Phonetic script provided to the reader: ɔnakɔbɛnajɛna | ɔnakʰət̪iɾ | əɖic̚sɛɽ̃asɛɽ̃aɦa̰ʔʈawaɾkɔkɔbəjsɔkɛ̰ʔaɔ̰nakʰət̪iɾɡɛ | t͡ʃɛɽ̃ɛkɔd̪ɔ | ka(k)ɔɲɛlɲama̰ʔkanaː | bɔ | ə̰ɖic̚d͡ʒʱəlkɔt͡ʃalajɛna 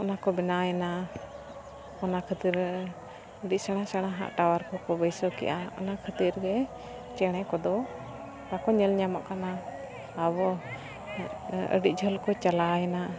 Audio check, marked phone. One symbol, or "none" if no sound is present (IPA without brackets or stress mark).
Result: k